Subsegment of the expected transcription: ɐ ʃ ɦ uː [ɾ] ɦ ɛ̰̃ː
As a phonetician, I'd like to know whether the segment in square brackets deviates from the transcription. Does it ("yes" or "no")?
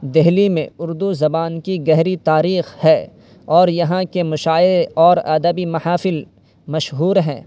no